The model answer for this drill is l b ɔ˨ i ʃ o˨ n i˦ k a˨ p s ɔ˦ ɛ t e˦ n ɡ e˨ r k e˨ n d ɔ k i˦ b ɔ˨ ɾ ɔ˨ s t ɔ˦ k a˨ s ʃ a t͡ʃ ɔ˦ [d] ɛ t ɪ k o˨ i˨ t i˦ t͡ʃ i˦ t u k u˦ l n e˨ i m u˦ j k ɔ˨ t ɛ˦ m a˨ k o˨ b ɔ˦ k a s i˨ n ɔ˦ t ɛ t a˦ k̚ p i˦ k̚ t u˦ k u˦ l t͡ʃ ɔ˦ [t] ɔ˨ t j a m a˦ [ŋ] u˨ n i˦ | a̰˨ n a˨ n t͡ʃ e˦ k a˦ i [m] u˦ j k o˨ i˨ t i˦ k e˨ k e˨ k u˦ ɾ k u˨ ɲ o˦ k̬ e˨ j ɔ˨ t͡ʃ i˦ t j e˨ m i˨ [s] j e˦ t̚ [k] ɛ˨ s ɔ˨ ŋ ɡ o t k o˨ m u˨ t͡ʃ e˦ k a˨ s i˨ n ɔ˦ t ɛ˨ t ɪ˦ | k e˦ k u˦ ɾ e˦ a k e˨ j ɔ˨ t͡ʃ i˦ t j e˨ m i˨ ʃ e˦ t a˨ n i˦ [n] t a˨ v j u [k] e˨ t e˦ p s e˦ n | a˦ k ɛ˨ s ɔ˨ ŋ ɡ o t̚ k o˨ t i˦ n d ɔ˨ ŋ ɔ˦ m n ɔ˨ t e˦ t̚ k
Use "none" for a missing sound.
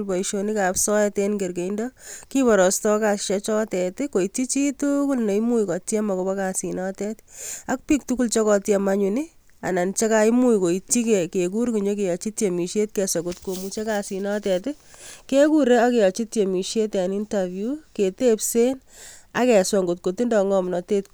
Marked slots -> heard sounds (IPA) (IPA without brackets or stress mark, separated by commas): t, k, ɲ, m, ʃ, k, n, k